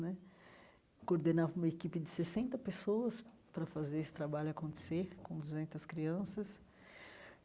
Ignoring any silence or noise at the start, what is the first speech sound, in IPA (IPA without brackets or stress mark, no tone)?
n